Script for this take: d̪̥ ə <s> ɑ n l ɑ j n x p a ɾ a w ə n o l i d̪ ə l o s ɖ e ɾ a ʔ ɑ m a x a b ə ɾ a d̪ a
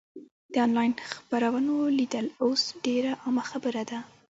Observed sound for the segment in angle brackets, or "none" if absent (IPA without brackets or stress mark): none